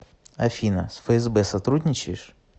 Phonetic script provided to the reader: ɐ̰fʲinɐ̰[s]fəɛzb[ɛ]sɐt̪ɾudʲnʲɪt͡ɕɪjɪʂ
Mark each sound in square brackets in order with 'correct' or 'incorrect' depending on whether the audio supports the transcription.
correct, correct

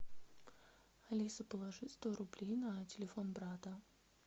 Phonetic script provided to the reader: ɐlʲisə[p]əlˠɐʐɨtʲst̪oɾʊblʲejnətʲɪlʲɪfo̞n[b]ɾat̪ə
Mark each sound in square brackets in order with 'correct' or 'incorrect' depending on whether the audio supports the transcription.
correct, correct

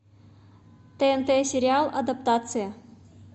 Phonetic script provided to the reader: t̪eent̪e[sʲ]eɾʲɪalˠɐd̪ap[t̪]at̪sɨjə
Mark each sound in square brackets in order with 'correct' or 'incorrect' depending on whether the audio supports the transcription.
correct, correct

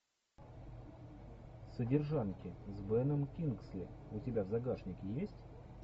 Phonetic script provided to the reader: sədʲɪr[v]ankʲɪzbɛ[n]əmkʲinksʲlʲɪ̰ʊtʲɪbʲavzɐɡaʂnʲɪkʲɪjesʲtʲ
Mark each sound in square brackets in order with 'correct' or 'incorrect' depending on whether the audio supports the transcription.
incorrect: ʐ, correct

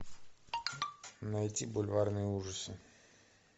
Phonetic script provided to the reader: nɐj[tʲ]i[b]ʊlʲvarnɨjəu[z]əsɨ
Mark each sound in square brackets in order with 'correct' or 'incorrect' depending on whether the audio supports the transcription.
correct, correct, incorrect: ʐ

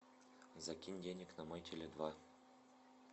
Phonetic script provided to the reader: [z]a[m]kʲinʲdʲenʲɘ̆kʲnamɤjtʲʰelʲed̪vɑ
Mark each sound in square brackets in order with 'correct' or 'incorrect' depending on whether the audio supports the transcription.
correct, incorrect: none

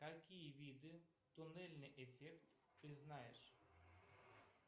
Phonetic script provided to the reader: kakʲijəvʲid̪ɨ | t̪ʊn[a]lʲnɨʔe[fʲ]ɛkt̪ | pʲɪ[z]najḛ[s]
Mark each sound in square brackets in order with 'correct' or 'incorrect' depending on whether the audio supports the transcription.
incorrect: ɛ, correct, correct, incorrect: ʂ

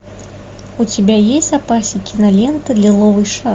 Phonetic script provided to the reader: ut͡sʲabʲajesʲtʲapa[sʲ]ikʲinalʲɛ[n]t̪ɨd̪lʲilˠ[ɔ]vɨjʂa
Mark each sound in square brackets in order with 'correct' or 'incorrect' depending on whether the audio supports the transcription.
correct, correct, correct

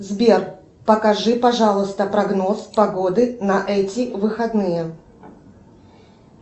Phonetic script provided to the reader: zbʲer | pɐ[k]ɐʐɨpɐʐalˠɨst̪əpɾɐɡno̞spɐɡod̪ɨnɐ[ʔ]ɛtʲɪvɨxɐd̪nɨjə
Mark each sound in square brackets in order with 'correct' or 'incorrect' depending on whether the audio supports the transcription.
correct, correct

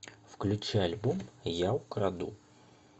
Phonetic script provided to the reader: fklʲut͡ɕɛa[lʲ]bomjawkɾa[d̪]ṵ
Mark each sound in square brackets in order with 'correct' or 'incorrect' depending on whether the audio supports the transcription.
correct, correct

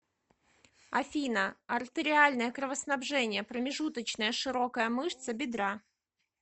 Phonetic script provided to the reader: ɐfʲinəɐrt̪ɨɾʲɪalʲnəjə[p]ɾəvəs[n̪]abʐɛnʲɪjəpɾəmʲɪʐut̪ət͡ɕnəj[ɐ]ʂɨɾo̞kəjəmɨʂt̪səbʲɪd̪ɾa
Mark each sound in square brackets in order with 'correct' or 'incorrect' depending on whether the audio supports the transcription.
incorrect: k, correct, incorrect: ə

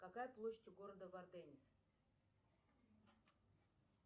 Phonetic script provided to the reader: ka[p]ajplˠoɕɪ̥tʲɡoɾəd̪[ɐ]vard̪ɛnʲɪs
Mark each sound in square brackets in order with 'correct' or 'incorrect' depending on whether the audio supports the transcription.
incorrect: k, incorrect: ə

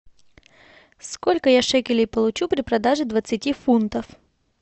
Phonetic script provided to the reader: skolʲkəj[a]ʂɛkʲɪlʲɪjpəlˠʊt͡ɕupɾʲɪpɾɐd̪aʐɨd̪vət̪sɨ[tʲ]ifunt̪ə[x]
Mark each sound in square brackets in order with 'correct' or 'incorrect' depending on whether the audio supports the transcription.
correct, correct, incorrect: f

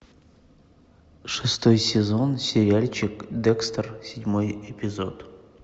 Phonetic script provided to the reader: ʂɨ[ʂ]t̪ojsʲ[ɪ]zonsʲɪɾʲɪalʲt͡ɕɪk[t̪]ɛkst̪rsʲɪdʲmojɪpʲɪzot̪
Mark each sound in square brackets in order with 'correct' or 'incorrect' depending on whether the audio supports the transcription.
incorrect: s, correct, incorrect: d̪

